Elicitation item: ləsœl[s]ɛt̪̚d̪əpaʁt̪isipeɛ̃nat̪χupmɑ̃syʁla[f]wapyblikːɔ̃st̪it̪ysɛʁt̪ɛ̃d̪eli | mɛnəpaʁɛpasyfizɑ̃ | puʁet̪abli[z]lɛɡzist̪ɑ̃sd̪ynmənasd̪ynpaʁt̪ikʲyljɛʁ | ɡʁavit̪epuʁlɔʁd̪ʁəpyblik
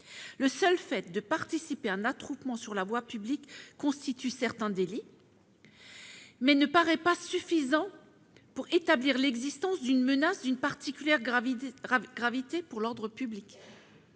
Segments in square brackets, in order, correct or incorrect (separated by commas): incorrect, incorrect, incorrect